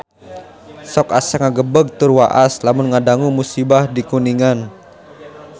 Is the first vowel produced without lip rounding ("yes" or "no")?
no